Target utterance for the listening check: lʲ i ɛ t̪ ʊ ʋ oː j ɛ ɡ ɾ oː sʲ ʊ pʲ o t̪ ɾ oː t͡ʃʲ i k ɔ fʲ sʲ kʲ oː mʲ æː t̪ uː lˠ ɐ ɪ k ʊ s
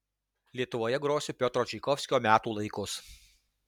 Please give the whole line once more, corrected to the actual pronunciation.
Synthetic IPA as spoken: lʲ i ɛ t̪ ʊ ʋ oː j ɛ ɡ ɾ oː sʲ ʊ pʲ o t̪ ɾ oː t͡ʃʲ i k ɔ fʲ sʲ kʲ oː mʲ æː t̪ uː lˠ ɐ ɪ k ʊ s